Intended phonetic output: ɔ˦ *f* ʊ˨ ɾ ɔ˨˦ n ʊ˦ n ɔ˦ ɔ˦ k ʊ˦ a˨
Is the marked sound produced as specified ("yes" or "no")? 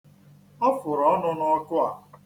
yes